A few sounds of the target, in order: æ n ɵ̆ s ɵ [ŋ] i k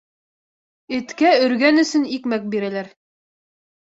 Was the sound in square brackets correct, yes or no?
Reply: no